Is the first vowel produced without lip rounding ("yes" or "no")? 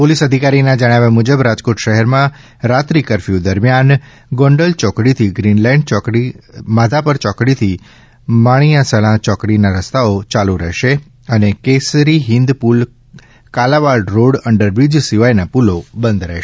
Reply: no